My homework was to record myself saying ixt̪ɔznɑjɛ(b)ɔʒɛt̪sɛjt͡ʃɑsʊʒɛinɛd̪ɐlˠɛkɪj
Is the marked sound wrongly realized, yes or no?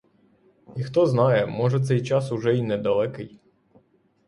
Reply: yes